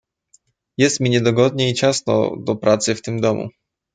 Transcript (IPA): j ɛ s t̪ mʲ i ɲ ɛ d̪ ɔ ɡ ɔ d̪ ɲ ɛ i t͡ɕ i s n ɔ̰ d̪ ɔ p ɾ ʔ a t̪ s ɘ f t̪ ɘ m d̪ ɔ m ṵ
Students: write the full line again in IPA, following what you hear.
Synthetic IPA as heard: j ɛ s t̪ mʲ i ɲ ɛ d̪ ɔ ɡ ɔ d̪ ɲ ɛ i t͡ɕ a s n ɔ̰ d̪ ɔ p ɾ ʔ a t̪ s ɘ f t̪ ɘ m d̪ ɔ m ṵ